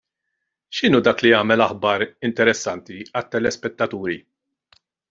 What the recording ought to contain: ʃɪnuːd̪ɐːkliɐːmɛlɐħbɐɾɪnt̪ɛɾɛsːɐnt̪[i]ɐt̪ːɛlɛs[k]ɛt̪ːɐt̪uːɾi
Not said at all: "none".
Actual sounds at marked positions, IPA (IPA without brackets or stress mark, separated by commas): i, p